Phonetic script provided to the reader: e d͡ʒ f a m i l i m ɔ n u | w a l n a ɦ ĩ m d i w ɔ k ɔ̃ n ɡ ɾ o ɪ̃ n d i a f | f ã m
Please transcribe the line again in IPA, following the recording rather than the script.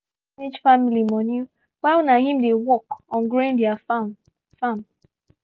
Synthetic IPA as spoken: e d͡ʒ f a m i l i m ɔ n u | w a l n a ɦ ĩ m d e w ɔ k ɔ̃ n ɡ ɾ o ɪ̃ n d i a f | f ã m